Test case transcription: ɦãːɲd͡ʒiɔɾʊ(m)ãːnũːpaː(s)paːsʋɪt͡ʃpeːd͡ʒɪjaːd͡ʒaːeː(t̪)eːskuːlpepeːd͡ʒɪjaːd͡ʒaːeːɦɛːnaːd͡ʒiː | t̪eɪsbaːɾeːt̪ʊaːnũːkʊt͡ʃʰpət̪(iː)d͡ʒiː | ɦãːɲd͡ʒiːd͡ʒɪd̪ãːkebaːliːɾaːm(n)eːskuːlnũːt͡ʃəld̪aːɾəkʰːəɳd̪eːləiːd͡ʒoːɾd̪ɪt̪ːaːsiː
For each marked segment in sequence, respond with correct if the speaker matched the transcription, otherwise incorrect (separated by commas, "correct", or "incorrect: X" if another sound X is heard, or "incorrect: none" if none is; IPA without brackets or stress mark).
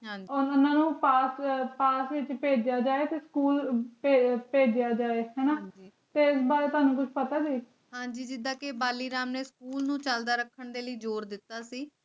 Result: incorrect: n, correct, correct, incorrect: aː, correct